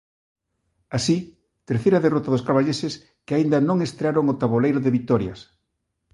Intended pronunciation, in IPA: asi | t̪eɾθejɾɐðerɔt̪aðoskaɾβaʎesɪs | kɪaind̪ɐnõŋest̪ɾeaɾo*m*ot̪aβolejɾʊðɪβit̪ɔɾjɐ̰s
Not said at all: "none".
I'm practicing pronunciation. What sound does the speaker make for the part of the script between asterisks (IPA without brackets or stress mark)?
ŋ